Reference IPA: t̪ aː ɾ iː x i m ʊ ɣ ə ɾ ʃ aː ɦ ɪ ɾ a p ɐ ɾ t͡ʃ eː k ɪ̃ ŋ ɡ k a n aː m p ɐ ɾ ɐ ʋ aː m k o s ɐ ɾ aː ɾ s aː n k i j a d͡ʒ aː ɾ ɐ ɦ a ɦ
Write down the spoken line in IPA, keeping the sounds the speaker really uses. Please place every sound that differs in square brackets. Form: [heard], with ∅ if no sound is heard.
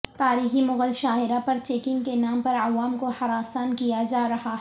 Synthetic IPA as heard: t̪ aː ɾ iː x i m ʊ ɣ ə [l] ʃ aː ɦ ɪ ɾ a p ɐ ɾ t͡ʃ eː k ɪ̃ ŋ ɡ k [e] n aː m p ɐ ɾ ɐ ʋ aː m k o [h] ɐ ɾ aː [∅] s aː n k i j a d͡ʒ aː ɾ ɐ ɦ a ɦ